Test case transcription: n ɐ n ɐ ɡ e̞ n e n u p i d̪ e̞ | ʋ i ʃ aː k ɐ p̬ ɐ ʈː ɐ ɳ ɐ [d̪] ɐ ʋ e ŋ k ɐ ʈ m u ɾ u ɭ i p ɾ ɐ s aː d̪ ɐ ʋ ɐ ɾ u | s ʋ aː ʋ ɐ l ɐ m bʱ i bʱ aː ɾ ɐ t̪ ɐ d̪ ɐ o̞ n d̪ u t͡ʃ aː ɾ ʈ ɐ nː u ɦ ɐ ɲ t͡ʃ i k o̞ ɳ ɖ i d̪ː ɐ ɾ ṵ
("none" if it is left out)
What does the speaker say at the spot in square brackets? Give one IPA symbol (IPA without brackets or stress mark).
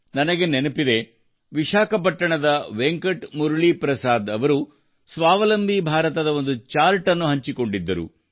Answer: d̪